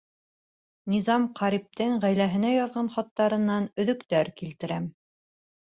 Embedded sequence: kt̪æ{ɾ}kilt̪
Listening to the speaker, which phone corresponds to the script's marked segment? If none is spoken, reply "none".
ɾ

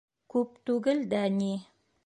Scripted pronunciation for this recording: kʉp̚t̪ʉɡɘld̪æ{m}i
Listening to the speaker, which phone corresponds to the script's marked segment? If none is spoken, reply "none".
n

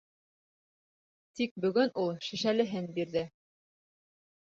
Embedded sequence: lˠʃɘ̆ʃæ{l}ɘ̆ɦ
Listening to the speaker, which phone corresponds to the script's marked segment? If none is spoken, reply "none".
l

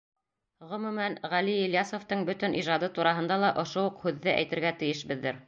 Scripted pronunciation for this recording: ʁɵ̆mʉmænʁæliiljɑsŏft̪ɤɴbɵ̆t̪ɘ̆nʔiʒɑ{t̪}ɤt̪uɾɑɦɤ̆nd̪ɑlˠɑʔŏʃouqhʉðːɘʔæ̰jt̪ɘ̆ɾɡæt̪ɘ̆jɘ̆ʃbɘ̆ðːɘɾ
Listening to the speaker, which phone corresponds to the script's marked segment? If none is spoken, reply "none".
d̪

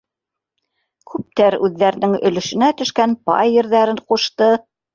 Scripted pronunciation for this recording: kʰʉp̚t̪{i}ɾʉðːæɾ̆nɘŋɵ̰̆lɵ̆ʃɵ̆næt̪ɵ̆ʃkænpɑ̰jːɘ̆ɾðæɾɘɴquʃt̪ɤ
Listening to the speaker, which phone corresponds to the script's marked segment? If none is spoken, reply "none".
æ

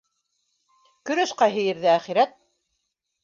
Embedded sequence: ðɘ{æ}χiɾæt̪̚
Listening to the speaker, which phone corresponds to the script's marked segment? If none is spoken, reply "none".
æ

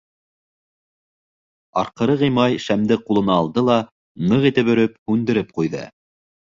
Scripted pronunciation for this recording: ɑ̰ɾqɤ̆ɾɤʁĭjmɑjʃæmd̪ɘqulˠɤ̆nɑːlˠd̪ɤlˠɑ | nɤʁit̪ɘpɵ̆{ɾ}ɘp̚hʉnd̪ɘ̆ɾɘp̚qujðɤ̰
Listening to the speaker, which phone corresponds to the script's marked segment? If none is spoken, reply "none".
ɾ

